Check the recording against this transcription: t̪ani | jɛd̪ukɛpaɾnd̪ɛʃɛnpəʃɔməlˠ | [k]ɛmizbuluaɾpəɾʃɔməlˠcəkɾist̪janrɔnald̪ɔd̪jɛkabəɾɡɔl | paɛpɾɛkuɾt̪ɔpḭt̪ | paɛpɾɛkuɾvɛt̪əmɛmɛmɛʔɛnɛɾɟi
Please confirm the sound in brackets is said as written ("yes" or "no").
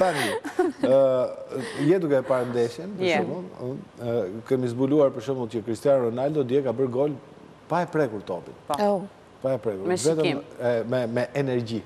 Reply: yes